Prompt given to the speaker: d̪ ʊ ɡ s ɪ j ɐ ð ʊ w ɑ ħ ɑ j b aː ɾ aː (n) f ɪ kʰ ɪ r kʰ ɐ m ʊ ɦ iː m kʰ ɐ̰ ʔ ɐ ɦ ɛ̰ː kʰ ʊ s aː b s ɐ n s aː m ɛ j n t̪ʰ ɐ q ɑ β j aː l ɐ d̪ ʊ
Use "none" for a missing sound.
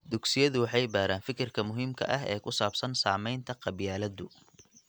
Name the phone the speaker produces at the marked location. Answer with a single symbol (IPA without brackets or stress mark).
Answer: n